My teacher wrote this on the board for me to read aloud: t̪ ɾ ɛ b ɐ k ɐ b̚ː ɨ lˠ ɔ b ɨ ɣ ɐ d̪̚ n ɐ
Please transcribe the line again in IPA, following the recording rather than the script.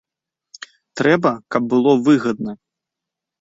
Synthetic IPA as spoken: t̪ ɾ ɛ b ɐ k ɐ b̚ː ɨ lˠ ɔ v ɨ ɣ ɐ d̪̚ n ɐ